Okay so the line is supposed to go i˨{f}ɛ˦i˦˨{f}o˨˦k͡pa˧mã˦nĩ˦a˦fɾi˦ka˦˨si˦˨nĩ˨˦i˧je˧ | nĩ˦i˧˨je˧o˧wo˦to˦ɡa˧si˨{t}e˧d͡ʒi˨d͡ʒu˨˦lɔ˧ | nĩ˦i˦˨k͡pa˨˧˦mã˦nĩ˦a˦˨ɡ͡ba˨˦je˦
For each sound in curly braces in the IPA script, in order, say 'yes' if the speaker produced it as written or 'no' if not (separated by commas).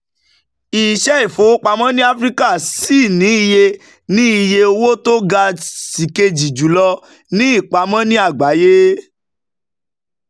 no, yes, no